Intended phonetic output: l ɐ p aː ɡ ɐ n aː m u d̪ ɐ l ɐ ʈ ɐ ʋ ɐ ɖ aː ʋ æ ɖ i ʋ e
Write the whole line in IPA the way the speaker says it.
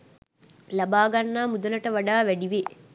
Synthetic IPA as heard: l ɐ b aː ɡ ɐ nː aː m u d̪ ɐ l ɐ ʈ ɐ ʋ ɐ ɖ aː ʋ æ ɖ i ʋ e